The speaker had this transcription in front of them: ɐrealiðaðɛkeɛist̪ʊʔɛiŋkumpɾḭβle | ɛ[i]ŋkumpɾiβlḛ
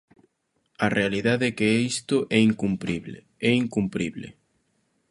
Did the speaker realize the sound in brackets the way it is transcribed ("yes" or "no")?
yes